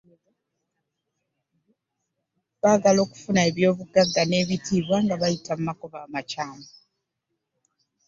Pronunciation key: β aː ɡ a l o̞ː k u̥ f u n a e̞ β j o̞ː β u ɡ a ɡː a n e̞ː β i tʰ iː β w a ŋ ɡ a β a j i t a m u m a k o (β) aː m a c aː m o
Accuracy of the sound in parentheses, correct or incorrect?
correct